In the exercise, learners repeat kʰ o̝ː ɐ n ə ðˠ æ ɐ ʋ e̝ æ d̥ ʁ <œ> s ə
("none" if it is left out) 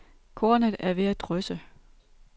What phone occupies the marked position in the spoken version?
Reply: œ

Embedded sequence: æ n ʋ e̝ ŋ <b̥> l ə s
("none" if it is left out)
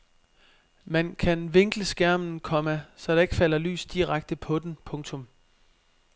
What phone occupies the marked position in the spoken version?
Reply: ɡ̥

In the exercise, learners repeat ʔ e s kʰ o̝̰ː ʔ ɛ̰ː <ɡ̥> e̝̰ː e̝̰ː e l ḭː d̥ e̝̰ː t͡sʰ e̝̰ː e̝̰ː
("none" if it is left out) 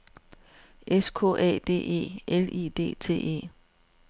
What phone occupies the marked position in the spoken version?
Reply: d̥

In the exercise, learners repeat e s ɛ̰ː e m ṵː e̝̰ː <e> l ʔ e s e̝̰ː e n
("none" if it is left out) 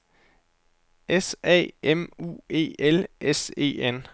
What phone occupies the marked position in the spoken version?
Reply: e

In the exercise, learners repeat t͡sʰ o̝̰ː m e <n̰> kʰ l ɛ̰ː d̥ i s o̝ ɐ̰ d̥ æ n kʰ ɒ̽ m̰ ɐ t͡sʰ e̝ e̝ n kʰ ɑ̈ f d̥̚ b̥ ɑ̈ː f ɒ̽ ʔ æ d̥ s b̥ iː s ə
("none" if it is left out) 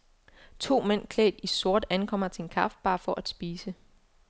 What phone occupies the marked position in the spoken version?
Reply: n̰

